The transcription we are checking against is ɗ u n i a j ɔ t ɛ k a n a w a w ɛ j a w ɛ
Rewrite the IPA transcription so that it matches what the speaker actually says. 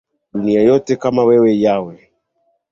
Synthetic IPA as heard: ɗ u n i a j ɔ t ɛ k a m a w ɛ w ɛ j a w ɛ